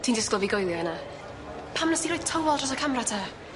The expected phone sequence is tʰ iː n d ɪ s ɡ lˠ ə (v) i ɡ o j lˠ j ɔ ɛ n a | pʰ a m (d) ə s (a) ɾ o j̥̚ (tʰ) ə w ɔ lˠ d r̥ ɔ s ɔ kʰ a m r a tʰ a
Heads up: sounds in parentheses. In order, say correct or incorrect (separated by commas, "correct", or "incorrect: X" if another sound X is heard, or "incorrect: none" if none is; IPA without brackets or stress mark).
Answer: correct, incorrect: n, incorrect: i, correct